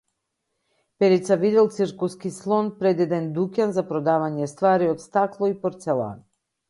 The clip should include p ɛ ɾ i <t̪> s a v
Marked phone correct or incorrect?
correct